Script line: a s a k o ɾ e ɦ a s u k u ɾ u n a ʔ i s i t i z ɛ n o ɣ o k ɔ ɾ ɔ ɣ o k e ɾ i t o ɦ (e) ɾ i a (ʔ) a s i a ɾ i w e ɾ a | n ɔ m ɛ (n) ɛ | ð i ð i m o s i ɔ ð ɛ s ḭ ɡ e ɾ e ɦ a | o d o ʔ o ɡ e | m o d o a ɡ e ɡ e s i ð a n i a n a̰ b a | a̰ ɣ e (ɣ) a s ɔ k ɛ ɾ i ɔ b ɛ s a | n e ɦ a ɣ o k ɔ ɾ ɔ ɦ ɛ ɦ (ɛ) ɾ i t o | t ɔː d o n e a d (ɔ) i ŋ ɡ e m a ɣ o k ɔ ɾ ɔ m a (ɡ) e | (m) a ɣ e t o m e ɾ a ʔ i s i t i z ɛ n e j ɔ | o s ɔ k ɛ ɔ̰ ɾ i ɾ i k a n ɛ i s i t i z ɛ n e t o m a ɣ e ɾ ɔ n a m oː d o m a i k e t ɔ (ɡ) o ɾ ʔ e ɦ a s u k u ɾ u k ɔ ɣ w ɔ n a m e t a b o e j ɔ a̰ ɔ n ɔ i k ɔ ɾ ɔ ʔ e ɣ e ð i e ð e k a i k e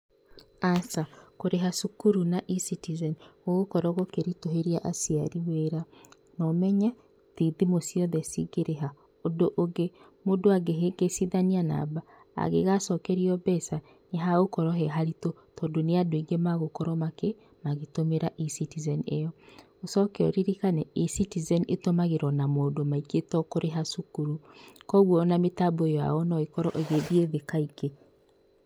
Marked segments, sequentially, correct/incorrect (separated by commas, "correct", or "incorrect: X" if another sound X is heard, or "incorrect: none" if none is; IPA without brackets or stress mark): correct, correct, incorrect: ɲ, correct, incorrect: a, incorrect: o, incorrect: k, correct, incorrect: k